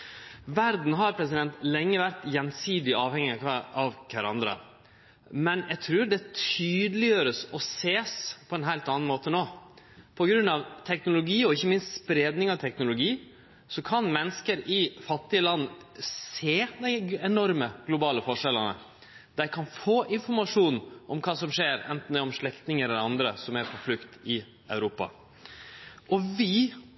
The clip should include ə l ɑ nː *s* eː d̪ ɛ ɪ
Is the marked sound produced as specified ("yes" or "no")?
yes